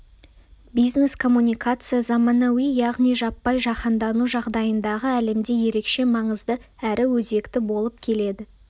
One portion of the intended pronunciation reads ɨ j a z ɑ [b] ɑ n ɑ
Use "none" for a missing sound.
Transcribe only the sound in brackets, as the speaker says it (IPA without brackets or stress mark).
m